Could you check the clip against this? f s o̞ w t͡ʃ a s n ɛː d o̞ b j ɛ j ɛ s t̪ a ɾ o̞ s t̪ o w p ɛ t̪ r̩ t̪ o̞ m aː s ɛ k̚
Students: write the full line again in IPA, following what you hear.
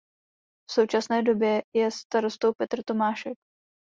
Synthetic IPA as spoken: f s o̞ w t͡ʃ a s n ɛː d o̞ b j ɛ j ɛ s t̪ a ɾ o̞ s t̪ o w p ɛ t̪ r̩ t̪ o̞ m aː ʃ ɛ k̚